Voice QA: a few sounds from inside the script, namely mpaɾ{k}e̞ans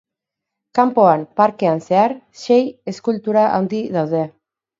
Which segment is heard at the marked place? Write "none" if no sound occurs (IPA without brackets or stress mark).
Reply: k